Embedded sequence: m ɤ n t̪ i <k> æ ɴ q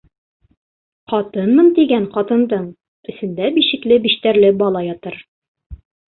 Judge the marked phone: incorrect: ɡ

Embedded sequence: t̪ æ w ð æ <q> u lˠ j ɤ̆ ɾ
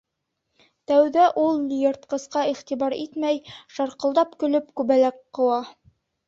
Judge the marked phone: incorrect: ʔ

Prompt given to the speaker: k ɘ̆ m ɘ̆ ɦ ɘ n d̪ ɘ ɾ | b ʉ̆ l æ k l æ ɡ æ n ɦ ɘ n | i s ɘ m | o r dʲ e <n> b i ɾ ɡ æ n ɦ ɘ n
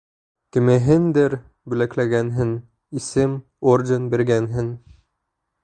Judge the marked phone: correct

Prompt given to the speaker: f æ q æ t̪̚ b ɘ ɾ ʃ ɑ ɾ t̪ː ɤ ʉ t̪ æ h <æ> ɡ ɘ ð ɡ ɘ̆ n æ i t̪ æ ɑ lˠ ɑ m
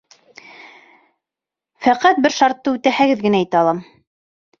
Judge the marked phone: correct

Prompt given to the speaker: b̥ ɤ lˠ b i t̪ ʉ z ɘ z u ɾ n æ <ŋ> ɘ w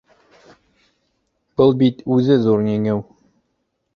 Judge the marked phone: correct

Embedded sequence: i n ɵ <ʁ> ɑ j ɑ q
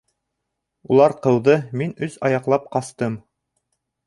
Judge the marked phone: incorrect: z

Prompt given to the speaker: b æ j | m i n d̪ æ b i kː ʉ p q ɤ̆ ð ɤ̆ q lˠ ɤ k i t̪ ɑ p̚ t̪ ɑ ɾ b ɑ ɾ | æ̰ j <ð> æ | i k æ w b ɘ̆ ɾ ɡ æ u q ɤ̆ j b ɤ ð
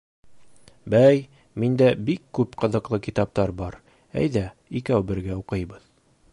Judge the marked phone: correct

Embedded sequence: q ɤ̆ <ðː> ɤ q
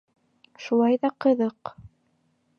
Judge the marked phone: incorrect: ð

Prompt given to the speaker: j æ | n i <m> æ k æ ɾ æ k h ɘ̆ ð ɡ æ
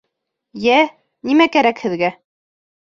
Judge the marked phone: correct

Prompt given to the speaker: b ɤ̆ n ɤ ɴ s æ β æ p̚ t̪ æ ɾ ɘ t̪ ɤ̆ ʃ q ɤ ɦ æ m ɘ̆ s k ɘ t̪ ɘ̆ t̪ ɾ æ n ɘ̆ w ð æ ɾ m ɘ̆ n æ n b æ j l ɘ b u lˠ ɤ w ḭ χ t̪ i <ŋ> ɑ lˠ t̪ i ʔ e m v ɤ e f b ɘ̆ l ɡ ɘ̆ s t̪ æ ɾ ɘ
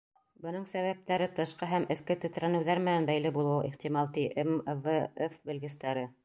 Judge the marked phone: incorrect: m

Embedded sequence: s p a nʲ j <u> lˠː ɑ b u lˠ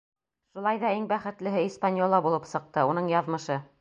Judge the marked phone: incorrect: o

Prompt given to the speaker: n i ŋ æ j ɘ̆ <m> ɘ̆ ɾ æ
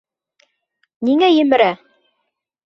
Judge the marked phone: correct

